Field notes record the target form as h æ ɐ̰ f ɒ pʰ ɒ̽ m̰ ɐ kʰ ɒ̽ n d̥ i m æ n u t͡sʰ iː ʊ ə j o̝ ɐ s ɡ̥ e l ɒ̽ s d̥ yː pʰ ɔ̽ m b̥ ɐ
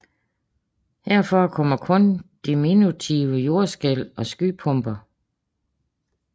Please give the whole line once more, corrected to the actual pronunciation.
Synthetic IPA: h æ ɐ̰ f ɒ kʰ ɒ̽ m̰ ɐ kʰ ɔ̽ n d̥ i m i n u t͡sʰ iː ʊ ə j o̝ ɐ s ɡ̥ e l ɒ̽ s ɡ̥ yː pʰ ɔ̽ m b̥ ɐ